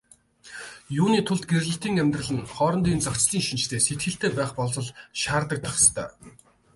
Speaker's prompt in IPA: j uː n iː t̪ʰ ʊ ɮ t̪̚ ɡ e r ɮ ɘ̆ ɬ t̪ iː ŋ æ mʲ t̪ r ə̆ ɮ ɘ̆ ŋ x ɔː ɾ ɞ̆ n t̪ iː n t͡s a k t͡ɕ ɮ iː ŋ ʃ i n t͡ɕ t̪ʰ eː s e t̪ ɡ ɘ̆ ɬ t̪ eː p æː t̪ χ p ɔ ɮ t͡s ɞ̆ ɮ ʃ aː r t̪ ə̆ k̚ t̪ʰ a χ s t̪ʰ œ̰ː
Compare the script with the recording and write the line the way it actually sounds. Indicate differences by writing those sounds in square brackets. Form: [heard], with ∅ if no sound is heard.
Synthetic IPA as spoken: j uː n iː t̪ʰ ʊ ɮ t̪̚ ɡ e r ɮ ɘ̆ ɬ t̪ iː ŋ æ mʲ t̪ r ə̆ ɮ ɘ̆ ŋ [χ] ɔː ɾ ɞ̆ n t̪ iː n t͡s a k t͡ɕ ɮ iː ŋ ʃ i n t͡ɕ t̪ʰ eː s e t̪ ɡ ɘ̆ ɬ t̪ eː p æː [∅] χ p ɔ ɮ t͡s ɞ̆ ɮ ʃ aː r t̪ ə̆ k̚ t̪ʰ a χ s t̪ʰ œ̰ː

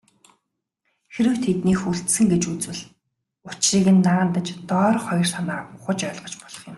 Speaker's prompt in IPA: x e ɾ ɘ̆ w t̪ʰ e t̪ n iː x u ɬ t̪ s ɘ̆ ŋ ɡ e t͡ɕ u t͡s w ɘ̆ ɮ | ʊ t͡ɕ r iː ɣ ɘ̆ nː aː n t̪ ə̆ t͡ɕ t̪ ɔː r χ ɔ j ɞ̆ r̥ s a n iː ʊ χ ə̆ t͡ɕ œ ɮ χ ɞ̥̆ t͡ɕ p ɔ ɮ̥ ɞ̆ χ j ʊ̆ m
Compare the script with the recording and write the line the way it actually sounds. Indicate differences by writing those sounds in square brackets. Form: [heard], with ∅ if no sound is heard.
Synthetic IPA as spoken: x e ɾ ɘ̆ w t̪ʰ e t̪ n iː x u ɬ t̪ s ɘ̆ ŋ ɡ e t͡ɕ u t͡s w ɘ̆ ɮ | ʊ t͡ɕ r iː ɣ ɘ̆ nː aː n t̪ ə̆ t͡ɕ t̪ ɔː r χ ɔ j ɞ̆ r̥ s a n [aː] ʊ χ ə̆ t͡ɕ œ ɮ [ʁ] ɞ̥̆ t͡ɕ p ɔ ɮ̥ ɞ̆ χ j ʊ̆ m

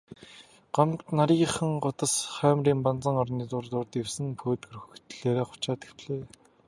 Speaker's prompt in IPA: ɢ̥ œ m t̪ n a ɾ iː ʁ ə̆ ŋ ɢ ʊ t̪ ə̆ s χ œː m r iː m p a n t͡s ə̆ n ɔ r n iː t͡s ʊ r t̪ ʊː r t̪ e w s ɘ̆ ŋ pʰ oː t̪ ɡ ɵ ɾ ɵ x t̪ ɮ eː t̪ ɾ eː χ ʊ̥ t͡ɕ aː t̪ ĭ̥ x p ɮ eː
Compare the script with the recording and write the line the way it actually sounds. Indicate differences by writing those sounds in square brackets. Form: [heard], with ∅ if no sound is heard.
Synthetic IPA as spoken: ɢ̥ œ m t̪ n a ɾ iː [χ] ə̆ ŋ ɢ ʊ t̪ ə̆ s χ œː m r iː m p a n t͡s ə̆ [ŋ] ɔ r n iː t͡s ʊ r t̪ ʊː r t̪ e w s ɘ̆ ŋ pʰ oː t̪ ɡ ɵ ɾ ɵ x t̪ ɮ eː [∅] ɾ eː χ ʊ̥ t͡ɕ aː t̪ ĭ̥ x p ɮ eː

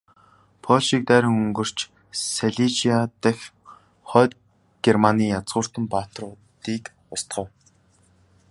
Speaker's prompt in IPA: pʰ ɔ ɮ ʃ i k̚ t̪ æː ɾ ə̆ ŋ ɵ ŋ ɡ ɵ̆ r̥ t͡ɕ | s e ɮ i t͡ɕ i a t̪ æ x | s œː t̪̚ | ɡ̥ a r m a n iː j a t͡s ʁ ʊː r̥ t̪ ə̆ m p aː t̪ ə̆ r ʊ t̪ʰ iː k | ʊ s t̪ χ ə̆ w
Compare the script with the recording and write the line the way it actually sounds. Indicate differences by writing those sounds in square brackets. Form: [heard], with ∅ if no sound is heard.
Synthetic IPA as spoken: pʰ ɔ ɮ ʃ i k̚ t̪ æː ɾ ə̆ ŋ ɵ ŋ ɡ ɵ̆ r̥ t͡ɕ | s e ɮ i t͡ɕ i a t̪ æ x | [χ] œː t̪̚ | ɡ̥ [e] r m a n iː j a t͡s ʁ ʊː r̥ t̪ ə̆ m p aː t̪ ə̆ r ʊ [t̪] iː k | ʊ s t̪ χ ə̆ w

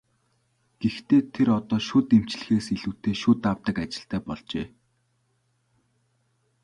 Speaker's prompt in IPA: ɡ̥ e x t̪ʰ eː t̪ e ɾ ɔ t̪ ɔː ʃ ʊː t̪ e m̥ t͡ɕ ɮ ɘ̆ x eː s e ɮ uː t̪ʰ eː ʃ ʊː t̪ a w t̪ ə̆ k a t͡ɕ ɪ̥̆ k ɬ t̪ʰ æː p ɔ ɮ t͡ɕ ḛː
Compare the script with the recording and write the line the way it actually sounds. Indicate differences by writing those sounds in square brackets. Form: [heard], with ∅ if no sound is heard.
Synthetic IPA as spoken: ɡ̥ e x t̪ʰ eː [t̪ʰ] e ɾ ɔ t̪ ɔː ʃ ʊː t̪ e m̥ t͡ɕ ɮ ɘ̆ x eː s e ɮ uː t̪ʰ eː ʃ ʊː t̪ a w t̪ ə̆ k a t͡ɕ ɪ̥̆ [∅] ɬ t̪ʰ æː p ɔ ɮ t͡ɕ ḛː

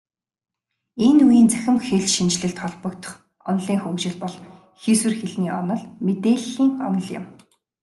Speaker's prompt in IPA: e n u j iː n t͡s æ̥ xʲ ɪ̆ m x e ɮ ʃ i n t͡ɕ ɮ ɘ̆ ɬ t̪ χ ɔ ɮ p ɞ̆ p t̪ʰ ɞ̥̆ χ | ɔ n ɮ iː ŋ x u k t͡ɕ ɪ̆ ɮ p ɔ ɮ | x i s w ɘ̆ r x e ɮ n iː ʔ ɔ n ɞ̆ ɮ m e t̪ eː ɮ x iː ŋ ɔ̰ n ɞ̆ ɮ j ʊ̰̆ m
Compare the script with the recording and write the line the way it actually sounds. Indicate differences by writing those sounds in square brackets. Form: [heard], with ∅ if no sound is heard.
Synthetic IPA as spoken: e n u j iː n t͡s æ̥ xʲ ɪ̆ m x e ɮ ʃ i n t͡ɕ ɮ ɘ̆ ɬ t̪ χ ɔ ɮ p ɞ̆ [k] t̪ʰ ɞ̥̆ χ | ɔ n ɮ iː ŋ x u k t͡ɕ ɪ̆ ɮ p ɔ ɮ | x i s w ɘ̆ r x e ɮ n iː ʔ ɔ n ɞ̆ ɮ m e t̪ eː ɮ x iː ŋ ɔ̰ n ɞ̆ ɮ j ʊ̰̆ m

